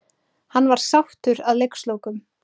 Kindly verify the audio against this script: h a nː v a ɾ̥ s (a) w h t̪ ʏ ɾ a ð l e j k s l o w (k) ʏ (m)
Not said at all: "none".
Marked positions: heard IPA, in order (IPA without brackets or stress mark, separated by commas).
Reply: a, k, m